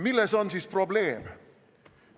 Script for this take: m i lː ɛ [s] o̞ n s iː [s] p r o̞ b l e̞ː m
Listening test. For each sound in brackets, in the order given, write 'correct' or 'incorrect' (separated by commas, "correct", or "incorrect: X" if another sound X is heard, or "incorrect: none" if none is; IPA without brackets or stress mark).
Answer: correct, correct